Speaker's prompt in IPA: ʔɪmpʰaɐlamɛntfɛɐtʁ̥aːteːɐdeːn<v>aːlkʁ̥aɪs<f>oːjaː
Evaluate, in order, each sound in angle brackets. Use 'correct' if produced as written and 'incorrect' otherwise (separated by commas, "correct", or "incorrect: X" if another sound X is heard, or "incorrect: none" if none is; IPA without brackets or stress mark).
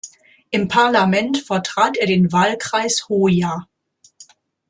correct, incorrect: h